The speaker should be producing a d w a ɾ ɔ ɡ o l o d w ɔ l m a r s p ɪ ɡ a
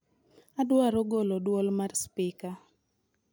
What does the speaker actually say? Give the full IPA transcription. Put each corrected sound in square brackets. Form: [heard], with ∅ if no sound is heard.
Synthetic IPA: a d w a ɾ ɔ ɡ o l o d w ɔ l m a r s p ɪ [k] a